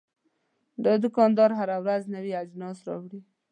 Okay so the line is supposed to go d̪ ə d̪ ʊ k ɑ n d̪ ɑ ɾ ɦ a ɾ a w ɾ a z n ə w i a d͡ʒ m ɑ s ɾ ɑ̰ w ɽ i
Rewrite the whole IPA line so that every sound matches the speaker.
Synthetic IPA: d̪ ə d̪ ʊ k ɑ n d̪ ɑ ɾ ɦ a ɾ a w ɾ a z n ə w i a d͡ʒ n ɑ s ɾ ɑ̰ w ɽ i